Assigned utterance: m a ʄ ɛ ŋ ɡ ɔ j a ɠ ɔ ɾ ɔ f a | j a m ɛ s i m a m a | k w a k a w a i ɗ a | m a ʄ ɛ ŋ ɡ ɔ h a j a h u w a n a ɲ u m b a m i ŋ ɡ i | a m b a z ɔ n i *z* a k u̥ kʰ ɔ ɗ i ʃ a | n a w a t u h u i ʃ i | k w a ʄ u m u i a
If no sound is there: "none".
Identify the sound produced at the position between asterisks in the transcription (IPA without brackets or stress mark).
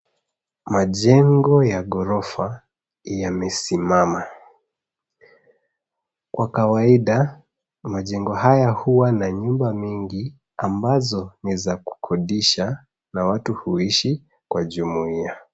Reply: z